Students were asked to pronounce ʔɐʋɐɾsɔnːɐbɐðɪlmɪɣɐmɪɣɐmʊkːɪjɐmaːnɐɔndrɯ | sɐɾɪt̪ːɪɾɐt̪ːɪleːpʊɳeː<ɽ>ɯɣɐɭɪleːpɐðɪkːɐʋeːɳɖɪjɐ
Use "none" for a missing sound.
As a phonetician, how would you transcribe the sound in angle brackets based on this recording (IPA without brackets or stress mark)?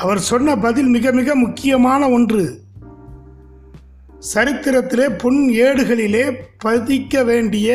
ɽ